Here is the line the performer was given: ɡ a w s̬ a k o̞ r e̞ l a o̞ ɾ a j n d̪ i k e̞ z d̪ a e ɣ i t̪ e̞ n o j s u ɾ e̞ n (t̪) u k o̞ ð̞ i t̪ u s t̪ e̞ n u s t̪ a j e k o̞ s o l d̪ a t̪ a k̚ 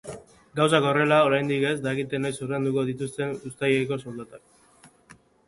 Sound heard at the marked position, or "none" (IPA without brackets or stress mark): d̪